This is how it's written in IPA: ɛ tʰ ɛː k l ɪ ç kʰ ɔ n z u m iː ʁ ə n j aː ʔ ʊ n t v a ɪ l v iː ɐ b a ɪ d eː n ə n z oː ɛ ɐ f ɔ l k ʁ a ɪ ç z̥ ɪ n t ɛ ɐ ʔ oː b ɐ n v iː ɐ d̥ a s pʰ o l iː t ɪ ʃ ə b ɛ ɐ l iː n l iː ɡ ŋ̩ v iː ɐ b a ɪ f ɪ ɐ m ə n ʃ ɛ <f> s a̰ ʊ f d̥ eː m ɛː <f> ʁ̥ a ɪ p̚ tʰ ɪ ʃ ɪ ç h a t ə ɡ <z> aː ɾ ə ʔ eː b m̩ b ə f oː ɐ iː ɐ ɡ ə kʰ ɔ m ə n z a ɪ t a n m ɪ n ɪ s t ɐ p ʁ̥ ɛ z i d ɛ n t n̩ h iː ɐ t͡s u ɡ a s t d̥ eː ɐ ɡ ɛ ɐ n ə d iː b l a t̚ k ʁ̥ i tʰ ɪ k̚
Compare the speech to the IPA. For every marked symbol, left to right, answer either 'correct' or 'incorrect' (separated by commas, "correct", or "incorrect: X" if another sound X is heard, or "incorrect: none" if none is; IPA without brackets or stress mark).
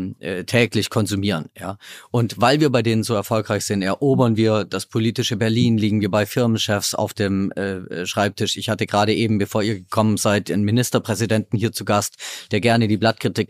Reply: correct, incorrect: ʃ, incorrect: ʁ